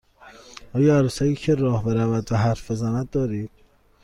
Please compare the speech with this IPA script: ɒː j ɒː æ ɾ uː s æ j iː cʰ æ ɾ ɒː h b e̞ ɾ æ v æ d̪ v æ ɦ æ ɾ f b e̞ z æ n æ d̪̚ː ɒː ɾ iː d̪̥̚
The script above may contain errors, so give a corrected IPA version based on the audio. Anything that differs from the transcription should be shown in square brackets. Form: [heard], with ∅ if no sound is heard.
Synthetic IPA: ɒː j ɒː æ ɾ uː s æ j iː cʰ [e] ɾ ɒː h b e̞ ɾ æ v æ d̪ v æ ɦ æ ɾ f b e̞ z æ n æ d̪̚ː ɒː ɾ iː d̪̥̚